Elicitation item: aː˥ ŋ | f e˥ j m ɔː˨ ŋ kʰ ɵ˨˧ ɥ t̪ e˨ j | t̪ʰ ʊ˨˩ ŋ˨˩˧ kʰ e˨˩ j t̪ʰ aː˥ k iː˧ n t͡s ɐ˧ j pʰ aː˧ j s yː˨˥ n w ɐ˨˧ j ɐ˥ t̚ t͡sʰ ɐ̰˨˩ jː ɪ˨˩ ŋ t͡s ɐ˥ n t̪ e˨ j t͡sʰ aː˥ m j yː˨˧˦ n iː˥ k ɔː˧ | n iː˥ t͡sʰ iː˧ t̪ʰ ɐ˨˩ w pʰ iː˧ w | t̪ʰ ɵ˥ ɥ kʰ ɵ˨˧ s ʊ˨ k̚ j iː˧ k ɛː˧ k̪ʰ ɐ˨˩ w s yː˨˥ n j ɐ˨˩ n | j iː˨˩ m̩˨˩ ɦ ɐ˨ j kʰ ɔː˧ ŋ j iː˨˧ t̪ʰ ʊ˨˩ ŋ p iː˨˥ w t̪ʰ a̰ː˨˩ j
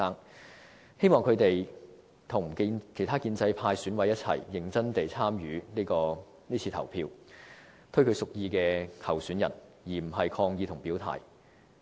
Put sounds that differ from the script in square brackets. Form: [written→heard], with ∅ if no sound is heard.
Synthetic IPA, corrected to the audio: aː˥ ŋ | [f→h] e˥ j m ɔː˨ ŋ kʰ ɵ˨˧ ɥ t̪ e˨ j | t̪ʰ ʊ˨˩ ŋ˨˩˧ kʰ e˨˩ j t̪ʰ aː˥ k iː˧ n t͡s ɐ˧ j pʰ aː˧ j s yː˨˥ n w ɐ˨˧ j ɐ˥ t̚ t͡sʰ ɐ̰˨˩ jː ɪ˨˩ ŋ t͡s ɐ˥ n t̪ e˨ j t͡sʰ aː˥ m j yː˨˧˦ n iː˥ k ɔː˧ | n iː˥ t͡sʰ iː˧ t̪ʰ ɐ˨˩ w pʰ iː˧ w | t̪ʰ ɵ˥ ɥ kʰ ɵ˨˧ s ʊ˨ k̚ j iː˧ k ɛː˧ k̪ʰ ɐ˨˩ w s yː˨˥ n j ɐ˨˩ n | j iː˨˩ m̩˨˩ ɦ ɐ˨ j kʰ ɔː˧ ŋ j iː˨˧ t̪ʰ ʊ˨˩ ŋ p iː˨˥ w t̪ʰ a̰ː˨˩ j